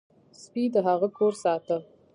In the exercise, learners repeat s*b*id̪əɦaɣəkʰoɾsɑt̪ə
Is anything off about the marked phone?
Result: yes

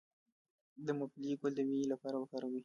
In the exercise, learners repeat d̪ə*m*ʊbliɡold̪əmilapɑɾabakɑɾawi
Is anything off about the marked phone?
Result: no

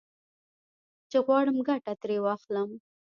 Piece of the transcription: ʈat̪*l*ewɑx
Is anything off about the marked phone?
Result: yes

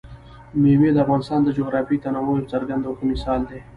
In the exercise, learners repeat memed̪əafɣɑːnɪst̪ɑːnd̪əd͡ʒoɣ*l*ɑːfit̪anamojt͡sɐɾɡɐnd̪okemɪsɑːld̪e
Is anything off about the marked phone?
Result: yes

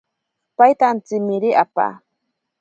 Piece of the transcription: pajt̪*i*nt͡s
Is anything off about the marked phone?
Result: yes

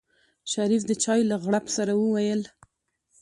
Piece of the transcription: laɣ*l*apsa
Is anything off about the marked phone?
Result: yes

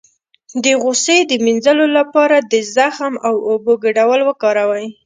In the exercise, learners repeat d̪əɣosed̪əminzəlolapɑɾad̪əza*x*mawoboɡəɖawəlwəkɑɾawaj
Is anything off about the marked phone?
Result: no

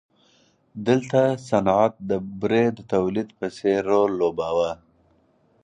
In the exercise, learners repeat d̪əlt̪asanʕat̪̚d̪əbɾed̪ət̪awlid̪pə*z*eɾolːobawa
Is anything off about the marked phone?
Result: yes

